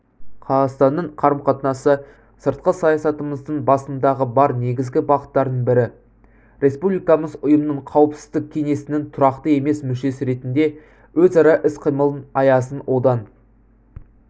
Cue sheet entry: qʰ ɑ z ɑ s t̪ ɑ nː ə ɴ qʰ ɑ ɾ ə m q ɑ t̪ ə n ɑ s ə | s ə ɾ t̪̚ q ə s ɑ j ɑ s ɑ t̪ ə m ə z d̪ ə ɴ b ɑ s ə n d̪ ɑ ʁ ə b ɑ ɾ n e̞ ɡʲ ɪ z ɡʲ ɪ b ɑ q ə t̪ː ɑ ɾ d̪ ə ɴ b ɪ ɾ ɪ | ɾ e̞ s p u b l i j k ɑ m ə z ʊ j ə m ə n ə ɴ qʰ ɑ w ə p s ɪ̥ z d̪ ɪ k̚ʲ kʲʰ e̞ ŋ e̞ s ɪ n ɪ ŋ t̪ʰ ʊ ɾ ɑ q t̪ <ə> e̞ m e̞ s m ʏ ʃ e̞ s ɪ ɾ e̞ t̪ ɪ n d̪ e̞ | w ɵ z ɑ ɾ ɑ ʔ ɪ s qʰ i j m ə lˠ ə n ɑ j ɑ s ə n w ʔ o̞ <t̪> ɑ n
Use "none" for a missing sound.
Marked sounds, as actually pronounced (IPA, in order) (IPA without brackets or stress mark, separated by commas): ə, d̪